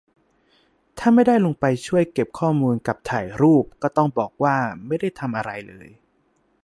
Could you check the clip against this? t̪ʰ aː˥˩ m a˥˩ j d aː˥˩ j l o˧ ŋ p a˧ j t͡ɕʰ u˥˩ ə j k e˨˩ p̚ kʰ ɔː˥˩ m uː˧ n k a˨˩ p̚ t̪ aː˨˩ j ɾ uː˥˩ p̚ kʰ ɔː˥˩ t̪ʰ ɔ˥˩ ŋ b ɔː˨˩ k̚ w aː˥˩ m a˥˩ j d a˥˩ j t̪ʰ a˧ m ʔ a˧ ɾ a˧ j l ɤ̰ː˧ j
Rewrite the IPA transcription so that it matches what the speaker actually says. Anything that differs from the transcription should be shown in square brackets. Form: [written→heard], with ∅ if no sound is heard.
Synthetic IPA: t̪ʰ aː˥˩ m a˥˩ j d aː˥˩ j l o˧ ŋ p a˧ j t͡ɕʰ u˥˩ ə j k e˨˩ p̚ kʰ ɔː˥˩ m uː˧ n k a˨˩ p̚ [t̪→t̪ʰ] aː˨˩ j ɾ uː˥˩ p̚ [kʰ→k] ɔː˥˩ [t̪ʰ→t̪] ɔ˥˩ ŋ b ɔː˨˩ k̚ w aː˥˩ m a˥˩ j d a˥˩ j t̪ʰ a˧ m ʔ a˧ ɾ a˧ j l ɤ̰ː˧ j